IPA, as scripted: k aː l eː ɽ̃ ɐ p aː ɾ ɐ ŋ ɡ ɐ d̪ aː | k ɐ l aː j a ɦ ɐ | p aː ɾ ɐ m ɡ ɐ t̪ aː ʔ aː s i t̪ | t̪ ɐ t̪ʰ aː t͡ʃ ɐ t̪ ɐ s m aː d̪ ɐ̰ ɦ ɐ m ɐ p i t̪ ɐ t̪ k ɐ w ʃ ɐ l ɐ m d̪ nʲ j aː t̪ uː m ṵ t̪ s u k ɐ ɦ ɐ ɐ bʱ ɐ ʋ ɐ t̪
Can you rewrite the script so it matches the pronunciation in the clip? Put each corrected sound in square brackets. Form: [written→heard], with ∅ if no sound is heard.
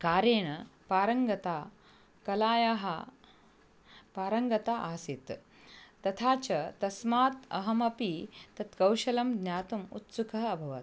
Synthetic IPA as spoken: k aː [l→ɾ] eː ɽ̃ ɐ p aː ɾ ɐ ŋ ɡ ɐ [d̪→t̪] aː | k ɐ l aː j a ɦ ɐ | p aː ɾ ɐ [m→ŋ] ɡ ɐ t̪ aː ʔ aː s i t̪ | t̪ ɐ t̪ʰ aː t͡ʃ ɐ t̪ ɐ s m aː [d̪→t̪] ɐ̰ ɦ ɐ m ɐ p i t̪ ɐ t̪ k ɐ w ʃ ɐ l ɐ m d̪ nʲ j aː t̪ [uː→u] m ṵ t̪ s u k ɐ ɦ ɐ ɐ bʱ ɐ ʋ ɐ t̪